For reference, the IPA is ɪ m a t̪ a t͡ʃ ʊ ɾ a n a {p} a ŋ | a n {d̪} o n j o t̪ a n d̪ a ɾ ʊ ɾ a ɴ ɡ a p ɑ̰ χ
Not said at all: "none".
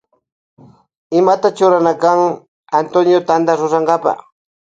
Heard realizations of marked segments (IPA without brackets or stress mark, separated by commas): k, t̪